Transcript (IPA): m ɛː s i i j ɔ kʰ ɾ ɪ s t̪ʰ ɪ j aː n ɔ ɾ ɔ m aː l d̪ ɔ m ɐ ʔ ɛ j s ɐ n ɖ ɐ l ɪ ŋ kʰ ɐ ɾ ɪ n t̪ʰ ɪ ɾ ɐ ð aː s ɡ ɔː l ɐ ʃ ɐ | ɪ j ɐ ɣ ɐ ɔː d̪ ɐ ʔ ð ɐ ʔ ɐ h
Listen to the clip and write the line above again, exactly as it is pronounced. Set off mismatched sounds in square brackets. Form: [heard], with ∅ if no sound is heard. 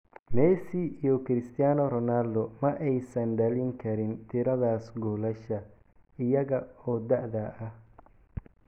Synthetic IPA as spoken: m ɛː s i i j ɔ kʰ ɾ ɪ s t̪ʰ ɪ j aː n ɔ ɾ ɔ [n] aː l d̪ ɔ m ɐ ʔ ɛ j s ɐ n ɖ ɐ l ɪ ŋ kʰ ɐ ɾ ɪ n t̪ʰ ɪ ɾ ɐ ð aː s ɡ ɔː l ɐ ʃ ɐ | ɪ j ɐ ɣ ɐ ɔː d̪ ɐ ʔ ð ɐ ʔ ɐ h